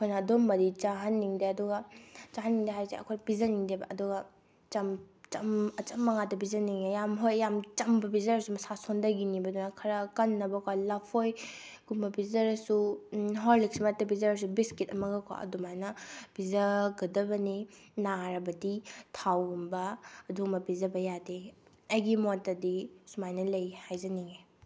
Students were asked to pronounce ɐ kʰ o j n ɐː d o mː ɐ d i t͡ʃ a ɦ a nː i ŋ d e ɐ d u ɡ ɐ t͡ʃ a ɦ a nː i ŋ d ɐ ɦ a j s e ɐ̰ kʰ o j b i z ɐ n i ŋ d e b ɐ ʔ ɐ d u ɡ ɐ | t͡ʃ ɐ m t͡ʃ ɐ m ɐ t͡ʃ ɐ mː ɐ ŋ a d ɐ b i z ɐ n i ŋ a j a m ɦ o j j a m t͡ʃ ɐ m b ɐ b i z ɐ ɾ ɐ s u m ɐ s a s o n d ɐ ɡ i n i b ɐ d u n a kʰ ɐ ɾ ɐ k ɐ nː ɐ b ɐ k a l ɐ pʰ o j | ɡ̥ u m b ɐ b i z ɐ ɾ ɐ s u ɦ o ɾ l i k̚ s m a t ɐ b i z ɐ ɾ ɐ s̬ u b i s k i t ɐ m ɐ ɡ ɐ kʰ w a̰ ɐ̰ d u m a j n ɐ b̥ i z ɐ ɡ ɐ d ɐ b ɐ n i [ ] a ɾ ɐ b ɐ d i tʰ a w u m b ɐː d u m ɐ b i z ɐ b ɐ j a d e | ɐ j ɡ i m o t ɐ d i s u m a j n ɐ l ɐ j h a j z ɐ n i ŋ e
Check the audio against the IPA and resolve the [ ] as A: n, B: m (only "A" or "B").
A